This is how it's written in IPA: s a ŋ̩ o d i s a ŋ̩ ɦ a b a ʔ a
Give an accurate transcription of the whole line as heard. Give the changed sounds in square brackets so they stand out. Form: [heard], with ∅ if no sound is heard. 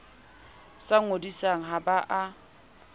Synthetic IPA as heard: s a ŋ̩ o d i s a ŋ̩ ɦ a b a ʔ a